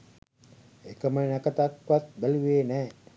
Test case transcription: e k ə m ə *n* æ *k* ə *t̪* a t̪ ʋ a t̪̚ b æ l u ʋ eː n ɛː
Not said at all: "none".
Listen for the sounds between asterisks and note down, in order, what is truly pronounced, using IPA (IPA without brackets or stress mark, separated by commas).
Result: n, k, t̪